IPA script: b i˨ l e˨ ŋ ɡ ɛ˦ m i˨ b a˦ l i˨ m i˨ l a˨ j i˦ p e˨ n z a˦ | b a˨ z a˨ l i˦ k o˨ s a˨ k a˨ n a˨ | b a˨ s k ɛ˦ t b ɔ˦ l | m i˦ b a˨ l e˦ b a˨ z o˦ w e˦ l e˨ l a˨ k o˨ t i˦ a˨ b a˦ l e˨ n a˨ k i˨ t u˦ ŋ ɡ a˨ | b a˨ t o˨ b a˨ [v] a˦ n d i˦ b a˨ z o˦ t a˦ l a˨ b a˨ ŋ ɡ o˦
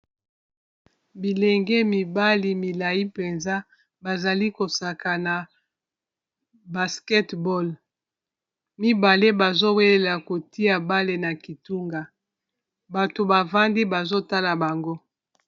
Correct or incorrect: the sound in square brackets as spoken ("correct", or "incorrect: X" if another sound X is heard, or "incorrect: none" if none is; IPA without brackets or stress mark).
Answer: correct